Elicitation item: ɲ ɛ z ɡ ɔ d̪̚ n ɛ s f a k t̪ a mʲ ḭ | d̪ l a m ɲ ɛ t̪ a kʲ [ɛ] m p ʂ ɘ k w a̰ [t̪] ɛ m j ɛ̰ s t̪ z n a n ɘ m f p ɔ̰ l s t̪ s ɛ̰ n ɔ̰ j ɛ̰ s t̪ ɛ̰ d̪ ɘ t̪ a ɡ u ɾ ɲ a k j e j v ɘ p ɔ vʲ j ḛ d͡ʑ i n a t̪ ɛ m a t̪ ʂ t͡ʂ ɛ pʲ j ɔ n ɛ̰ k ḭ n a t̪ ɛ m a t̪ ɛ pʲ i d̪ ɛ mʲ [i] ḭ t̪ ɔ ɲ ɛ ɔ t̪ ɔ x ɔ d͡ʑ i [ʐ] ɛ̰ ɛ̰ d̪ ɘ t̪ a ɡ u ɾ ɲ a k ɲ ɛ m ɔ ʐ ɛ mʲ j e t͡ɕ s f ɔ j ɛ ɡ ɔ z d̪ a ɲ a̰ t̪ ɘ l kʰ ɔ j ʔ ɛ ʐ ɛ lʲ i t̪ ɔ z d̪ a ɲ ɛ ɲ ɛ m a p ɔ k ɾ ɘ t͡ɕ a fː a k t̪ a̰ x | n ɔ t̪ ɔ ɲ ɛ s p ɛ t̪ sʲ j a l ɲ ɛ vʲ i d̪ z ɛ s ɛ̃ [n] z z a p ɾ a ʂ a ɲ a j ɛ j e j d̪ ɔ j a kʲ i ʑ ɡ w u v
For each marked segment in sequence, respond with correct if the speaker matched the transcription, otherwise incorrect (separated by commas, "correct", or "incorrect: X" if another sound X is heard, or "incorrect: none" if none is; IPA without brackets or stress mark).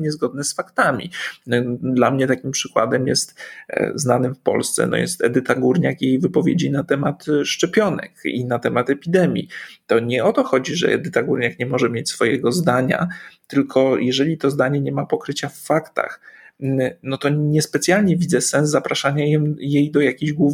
incorrect: i, incorrect: d̪, incorrect: j, correct, correct